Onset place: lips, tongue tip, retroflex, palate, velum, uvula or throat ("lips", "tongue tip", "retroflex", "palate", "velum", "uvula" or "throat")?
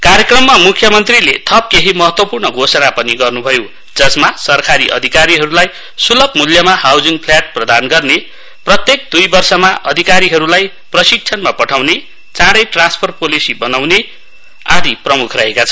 velum